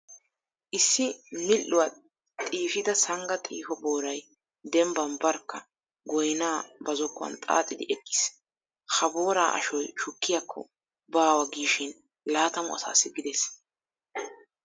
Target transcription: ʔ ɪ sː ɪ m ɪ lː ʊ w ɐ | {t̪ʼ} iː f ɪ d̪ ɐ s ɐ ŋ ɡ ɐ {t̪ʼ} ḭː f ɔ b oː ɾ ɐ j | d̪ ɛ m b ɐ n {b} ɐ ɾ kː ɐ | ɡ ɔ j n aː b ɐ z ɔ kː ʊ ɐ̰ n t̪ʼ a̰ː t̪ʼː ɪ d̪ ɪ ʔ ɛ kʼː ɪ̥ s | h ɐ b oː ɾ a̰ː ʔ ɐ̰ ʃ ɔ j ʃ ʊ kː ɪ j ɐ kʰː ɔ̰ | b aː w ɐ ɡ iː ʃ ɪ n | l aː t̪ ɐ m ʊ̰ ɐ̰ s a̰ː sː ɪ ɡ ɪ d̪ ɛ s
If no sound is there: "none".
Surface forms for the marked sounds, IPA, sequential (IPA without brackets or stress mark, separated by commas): t̪ʼ, t̪ʼ, b